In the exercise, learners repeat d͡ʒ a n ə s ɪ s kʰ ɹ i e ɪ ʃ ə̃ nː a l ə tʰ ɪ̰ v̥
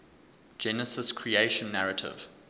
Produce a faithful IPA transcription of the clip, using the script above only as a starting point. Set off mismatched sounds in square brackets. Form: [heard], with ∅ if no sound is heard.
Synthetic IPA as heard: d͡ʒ [ɛ] n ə s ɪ s kʰ ɹ i e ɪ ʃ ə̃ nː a [ɹ] ə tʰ ɪ̰ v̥